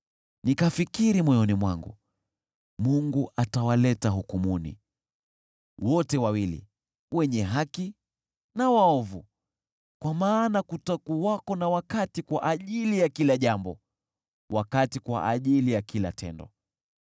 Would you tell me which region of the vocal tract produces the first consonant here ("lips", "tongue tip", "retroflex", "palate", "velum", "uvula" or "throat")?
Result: tongue tip